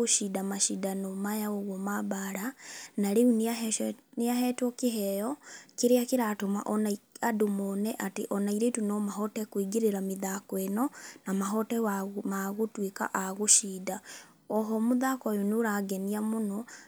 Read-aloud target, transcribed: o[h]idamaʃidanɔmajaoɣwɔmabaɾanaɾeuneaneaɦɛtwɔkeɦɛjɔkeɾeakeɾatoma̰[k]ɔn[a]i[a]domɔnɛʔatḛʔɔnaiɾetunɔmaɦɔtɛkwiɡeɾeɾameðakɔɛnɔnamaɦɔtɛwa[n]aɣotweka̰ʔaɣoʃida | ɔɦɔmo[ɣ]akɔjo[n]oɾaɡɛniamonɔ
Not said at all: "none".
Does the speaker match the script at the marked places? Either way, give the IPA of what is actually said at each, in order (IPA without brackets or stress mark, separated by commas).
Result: ʃ, ʔ, a, a, m, ð, n